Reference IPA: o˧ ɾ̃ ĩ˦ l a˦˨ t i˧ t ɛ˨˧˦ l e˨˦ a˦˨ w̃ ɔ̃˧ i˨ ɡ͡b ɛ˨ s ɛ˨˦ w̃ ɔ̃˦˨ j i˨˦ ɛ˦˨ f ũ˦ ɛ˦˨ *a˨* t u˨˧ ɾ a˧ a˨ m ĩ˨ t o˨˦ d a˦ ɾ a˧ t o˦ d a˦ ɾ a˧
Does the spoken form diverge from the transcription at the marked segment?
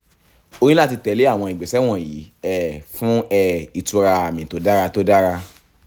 yes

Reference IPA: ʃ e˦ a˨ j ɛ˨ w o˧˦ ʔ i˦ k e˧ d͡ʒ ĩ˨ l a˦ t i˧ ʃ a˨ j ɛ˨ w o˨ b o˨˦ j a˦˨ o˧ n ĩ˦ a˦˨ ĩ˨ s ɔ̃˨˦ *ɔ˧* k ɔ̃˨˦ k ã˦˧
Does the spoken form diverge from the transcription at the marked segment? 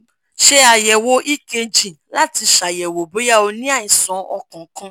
no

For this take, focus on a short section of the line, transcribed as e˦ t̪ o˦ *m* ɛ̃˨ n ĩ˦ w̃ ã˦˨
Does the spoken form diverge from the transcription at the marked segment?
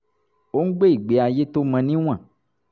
no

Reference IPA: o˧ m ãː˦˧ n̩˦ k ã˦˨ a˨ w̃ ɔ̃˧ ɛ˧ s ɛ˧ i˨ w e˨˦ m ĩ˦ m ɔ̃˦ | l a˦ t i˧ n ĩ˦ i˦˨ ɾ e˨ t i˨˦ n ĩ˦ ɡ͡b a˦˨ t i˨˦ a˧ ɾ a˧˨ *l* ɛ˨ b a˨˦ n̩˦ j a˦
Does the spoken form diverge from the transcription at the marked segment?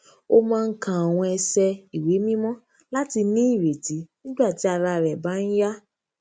yes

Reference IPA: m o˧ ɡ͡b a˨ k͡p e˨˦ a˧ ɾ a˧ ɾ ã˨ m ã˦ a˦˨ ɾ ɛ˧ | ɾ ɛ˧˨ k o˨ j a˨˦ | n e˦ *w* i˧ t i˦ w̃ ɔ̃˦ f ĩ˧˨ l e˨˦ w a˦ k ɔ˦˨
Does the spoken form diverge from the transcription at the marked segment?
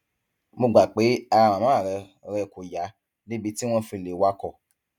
yes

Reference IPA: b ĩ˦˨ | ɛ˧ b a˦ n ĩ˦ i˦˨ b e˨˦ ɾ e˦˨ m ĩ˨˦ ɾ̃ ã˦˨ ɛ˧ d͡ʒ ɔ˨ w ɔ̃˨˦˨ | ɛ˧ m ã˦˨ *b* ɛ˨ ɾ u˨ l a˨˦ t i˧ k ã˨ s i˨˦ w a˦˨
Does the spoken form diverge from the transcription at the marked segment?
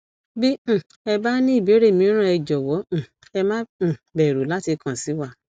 no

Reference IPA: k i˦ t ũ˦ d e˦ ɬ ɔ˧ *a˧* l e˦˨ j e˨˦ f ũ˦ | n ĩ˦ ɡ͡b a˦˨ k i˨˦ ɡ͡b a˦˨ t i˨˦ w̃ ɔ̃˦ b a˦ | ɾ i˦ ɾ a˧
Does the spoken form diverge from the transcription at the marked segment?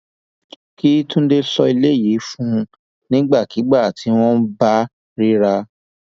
yes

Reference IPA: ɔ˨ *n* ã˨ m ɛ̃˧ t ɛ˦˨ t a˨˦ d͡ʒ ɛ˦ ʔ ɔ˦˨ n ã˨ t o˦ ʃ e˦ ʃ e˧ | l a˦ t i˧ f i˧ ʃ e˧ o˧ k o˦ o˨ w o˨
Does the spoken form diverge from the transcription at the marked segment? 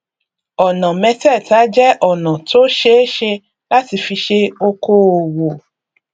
no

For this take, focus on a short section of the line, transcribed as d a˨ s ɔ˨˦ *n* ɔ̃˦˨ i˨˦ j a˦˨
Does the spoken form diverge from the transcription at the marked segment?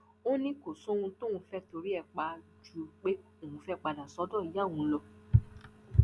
yes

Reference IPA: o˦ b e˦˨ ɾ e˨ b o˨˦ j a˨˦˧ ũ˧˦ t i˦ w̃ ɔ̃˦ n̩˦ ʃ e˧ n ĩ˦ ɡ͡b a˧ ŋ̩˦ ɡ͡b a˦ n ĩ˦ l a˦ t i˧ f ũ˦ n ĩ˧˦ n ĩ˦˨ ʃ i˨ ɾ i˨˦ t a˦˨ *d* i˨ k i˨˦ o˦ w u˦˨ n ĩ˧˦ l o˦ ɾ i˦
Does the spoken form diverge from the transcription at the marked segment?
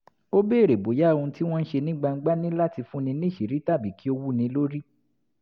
yes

